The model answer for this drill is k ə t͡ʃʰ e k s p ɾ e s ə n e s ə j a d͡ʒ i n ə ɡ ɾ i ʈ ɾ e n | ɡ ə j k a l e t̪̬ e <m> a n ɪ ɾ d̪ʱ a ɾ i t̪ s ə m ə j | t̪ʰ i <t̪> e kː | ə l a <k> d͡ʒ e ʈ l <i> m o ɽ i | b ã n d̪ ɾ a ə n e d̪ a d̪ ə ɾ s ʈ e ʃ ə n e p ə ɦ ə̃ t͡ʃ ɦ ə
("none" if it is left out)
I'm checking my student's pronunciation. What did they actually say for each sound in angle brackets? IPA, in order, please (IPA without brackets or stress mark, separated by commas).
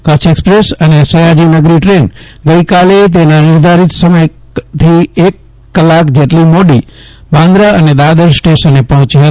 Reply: n, none, k, i